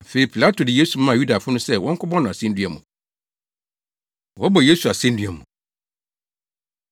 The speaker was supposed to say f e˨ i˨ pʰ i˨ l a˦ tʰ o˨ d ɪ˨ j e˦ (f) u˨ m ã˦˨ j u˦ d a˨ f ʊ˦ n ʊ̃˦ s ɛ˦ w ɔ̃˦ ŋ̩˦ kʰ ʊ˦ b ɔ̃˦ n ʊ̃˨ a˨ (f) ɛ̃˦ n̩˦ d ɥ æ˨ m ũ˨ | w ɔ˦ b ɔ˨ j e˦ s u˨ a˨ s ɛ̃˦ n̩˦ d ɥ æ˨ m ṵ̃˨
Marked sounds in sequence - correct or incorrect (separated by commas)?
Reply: incorrect, incorrect